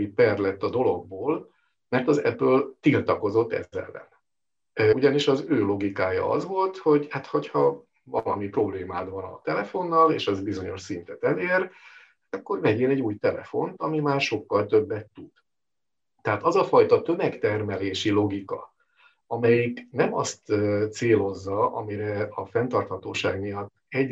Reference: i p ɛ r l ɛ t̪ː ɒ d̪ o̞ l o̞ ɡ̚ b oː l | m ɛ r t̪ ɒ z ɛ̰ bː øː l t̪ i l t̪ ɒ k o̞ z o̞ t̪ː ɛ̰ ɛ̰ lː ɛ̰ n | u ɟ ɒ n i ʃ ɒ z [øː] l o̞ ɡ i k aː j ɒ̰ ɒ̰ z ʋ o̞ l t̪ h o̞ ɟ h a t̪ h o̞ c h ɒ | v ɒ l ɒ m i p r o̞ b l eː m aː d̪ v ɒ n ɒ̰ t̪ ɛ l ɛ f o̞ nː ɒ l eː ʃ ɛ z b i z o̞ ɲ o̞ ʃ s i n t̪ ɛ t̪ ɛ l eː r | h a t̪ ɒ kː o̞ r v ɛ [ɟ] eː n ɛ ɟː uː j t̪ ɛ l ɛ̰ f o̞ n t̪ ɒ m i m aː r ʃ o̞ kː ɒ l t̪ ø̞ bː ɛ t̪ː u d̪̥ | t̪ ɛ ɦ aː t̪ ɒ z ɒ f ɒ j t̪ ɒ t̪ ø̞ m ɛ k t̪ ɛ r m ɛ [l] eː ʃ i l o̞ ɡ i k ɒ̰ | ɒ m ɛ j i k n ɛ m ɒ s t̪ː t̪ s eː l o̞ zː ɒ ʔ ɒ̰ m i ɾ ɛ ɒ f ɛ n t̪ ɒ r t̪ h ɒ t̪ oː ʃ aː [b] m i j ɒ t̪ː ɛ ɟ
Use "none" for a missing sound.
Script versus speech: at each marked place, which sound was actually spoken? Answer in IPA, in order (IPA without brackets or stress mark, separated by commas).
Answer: øː, ɟ, l, ɡ